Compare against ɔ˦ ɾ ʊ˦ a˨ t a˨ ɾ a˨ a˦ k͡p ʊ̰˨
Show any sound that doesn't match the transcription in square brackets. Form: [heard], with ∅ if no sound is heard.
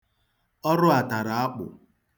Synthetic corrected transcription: ɔ˦ ɾ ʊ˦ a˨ t a˨ ɾ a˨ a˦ k͡p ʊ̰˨